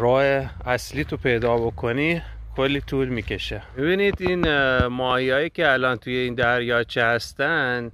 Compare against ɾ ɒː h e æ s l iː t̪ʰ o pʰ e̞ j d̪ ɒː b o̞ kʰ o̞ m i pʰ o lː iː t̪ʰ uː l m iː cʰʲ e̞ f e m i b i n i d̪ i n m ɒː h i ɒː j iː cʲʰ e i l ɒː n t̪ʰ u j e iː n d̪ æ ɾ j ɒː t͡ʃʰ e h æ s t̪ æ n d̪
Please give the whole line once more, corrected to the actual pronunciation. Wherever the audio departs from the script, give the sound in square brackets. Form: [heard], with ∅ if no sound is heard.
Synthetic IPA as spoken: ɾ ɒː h e æ s l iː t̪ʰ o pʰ e̞ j d̪ ɒː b o̞ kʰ o̞ [n] i [kʰ] o lː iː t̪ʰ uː l m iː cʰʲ e̞ [ʃ] e m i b i n i d̪ i n m ɒː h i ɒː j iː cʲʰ e [æ] l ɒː n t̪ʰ u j e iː n d̪ æ ɾ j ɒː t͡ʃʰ e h æ s t̪ æ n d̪